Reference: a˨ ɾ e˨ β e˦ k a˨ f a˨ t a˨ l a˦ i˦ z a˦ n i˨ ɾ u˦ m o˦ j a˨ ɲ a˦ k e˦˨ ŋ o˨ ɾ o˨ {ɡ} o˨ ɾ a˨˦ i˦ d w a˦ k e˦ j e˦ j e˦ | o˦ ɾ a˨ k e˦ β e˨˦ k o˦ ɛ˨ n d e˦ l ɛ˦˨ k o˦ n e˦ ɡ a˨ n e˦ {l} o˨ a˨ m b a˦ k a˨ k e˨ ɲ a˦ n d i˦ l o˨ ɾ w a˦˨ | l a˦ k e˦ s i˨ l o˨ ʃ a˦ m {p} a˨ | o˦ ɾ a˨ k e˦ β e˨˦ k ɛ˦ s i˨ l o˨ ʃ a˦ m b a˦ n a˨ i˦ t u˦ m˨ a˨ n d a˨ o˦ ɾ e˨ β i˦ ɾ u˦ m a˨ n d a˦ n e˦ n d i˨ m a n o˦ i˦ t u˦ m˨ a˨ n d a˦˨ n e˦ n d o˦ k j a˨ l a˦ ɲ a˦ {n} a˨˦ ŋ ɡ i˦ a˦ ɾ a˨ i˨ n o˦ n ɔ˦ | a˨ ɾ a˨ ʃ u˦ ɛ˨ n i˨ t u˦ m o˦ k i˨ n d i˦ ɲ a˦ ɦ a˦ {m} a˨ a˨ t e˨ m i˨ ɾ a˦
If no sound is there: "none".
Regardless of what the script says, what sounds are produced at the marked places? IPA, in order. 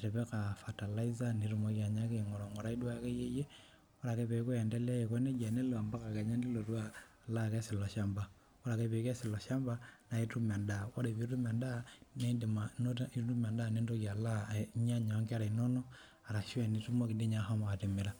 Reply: ŋ, l, b, ɲ, m

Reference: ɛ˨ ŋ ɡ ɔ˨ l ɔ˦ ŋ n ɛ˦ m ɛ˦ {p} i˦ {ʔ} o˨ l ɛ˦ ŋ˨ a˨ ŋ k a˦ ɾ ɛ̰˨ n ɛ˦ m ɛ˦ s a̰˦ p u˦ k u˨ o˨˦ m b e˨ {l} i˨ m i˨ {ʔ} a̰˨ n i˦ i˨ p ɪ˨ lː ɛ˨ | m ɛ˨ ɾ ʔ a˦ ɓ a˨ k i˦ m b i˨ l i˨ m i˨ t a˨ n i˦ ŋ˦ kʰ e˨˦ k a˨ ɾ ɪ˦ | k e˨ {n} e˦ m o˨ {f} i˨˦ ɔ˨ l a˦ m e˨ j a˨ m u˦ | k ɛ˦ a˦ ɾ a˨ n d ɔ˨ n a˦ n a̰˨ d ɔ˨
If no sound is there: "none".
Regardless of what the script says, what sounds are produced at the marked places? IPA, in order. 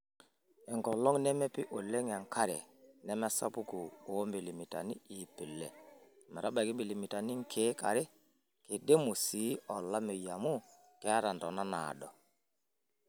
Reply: p, ʔ, l, t, d, s

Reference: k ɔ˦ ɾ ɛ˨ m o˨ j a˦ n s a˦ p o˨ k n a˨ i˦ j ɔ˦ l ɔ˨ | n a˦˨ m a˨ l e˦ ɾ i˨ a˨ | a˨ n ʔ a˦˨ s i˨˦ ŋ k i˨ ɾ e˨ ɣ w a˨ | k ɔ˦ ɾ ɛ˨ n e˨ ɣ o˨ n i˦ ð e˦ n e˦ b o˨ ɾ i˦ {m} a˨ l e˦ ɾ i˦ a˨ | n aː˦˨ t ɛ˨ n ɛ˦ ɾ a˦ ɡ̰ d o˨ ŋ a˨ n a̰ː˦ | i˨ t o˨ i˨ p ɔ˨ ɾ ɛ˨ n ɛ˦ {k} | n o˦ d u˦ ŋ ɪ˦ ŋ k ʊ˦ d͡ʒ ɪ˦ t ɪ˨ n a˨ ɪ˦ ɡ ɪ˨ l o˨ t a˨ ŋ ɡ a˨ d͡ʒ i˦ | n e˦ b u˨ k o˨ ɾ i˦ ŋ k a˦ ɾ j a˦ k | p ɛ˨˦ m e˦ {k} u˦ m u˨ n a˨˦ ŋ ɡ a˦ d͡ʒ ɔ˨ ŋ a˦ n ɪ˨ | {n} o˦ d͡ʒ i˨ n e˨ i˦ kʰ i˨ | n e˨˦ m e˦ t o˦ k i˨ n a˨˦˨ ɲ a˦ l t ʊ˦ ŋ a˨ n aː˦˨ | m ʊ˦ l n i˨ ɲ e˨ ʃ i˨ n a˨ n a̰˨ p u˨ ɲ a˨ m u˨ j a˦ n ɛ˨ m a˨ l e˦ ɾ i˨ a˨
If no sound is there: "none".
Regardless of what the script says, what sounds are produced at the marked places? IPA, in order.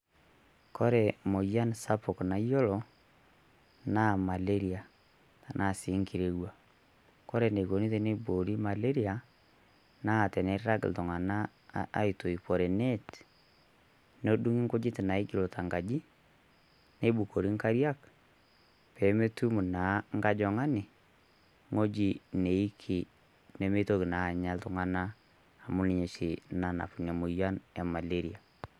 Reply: m, t, t, ŋ

